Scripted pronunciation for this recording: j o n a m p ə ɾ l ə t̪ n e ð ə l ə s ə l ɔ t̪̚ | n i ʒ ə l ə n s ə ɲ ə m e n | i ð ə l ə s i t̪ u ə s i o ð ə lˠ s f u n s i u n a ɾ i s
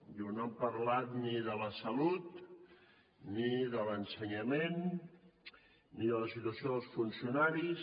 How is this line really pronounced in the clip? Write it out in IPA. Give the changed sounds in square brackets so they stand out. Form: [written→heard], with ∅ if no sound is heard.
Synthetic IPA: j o n a m p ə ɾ l [ə→a] t̪ n [e→i] ð ə l ə s ə l [ɔ→u] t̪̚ | n i [ʒ→ð] ə l ə n s ə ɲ ə m e n | i ð ə l ə s i t̪ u ə s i o ð ə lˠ s f u n s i u n a ɾ i s